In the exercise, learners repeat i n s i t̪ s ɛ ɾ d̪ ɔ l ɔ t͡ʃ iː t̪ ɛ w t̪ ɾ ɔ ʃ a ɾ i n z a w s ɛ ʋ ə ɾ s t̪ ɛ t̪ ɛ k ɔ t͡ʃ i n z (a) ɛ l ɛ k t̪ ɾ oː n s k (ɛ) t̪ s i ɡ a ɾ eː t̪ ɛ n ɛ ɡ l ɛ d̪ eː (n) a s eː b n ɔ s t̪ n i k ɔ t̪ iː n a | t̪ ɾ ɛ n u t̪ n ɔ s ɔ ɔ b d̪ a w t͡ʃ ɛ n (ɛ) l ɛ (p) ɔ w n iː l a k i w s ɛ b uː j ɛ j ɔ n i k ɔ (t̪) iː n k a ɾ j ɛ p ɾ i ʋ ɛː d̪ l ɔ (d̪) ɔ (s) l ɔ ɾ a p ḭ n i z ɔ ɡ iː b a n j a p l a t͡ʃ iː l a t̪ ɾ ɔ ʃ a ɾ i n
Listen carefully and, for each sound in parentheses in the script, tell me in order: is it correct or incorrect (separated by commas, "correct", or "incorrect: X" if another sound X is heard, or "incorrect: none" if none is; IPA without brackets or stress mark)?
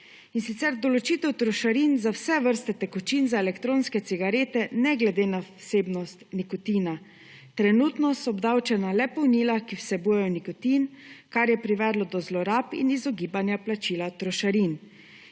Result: correct, correct, correct, incorrect: a, correct, correct, correct, incorrect: z